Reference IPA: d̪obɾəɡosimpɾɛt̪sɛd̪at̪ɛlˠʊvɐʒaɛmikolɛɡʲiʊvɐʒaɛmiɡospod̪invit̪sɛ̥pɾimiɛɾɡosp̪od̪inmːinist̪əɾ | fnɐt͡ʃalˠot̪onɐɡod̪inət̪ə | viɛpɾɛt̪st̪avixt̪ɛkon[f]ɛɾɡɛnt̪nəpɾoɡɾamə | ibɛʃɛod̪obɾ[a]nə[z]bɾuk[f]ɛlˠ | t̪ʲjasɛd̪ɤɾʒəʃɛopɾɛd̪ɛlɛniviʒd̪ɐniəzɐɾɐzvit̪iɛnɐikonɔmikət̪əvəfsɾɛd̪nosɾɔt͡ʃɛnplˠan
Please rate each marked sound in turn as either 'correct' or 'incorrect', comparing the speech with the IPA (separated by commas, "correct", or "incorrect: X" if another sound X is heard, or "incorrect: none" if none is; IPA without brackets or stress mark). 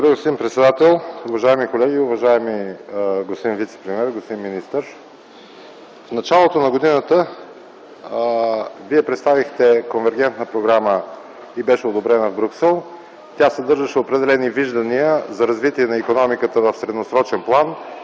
incorrect: v, incorrect: ɛ, incorrect: v, incorrect: s